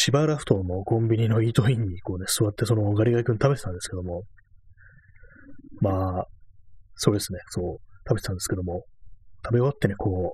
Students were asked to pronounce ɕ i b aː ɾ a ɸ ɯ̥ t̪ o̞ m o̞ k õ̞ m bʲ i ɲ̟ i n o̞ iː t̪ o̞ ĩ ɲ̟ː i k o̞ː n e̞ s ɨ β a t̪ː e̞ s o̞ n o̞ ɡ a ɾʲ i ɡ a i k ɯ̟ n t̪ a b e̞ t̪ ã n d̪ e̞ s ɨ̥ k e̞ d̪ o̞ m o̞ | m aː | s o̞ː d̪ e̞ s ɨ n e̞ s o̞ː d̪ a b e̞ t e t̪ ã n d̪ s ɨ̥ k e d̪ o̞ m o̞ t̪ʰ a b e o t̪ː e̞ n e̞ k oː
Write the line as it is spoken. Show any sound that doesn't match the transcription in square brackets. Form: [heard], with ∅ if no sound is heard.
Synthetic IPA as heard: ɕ i b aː ɾ a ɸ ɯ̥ t̪ o̞ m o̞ k õ̞ m bʲ i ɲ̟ i n o̞ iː t̪ o̞ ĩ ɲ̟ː i k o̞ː n e̞ s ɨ β a t̪ː e̞ s o̞ n o̞ ɡ a ɾʲ i ɡ a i k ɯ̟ n t̪ a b e̞ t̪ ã n d̪ e̞ s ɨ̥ k e̞ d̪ o̞ m o̞ | m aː | s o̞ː d̪ e̞ s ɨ n e̞ s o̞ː [t̪] a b e̞ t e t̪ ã n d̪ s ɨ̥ k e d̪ o̞ m o̞ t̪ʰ a b e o t̪ː e̞ n e̞ k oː